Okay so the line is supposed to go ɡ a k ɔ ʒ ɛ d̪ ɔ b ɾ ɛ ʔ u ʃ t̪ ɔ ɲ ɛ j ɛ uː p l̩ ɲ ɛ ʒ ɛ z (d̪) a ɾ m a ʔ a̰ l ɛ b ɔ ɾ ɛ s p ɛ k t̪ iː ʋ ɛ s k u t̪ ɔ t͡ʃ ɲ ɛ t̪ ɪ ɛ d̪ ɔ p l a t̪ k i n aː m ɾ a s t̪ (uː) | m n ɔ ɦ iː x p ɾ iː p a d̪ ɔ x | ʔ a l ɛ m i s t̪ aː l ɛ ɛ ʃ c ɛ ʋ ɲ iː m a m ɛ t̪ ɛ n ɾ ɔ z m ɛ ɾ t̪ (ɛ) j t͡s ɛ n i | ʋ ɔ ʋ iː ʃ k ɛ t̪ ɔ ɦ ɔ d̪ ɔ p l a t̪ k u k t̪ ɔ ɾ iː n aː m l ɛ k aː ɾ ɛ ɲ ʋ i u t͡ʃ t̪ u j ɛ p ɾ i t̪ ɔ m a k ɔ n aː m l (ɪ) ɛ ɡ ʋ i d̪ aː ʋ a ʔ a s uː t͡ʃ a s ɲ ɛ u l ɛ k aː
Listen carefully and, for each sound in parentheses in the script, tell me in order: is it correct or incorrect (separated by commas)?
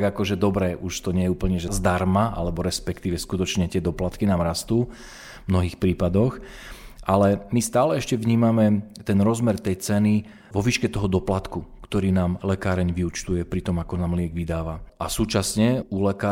correct, correct, correct, correct